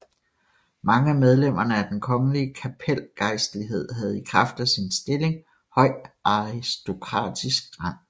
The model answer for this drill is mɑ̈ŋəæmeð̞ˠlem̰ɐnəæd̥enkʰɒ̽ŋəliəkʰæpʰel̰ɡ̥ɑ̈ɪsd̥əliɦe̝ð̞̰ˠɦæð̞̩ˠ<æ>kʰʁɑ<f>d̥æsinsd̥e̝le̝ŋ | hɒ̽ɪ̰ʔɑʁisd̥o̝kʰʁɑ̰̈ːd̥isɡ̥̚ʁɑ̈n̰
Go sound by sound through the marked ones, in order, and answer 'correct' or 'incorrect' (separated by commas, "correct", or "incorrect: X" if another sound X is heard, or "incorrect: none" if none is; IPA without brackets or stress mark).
incorrect: i, correct